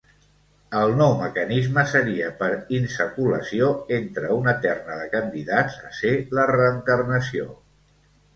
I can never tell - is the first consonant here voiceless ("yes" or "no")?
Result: no